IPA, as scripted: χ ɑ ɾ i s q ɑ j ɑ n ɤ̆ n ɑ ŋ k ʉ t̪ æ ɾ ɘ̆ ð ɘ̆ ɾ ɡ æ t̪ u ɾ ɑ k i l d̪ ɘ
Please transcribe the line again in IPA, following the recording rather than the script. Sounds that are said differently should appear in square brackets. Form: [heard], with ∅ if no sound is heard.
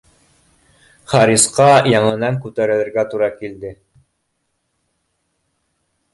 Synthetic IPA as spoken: χ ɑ ɾ i s q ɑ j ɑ [ɴ] ɤ̆ n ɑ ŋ k ʉ t̪ æ ɾ ɘ̆ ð ɘ̆ ɾ ɡ æ t̪ u ɾ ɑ k i l d̪ ɘ